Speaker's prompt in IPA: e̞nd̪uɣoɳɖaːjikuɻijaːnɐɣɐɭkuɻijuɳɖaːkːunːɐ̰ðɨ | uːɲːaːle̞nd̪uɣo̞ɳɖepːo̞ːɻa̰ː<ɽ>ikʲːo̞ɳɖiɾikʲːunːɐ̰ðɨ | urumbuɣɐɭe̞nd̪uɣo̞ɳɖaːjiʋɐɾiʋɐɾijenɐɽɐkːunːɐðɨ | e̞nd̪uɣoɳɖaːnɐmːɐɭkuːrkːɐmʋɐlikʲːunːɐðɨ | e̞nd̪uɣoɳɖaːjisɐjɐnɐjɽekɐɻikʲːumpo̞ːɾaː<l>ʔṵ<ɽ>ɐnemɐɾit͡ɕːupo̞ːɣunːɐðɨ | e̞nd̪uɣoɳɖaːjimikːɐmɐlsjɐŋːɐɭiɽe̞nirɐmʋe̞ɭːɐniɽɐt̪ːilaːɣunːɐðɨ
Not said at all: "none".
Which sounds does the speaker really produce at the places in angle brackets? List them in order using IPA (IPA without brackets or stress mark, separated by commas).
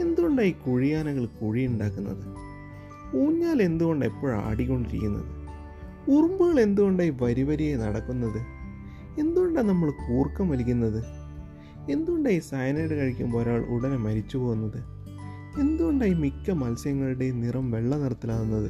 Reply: ɽ, ɭ, ɽ